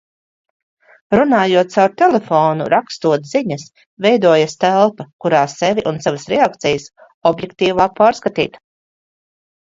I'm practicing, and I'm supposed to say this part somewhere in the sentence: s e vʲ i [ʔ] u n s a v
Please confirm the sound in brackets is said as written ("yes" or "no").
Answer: yes